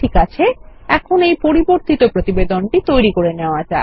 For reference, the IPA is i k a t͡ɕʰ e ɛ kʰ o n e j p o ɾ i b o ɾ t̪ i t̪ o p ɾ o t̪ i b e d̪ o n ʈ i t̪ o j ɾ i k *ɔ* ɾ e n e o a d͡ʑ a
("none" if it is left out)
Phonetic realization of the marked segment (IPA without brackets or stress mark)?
o